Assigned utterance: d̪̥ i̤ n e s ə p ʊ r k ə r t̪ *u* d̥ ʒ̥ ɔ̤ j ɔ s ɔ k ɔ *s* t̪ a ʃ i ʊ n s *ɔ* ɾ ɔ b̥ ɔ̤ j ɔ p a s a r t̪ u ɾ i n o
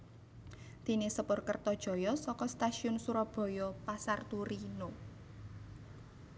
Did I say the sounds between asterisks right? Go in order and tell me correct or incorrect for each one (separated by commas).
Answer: incorrect, correct, incorrect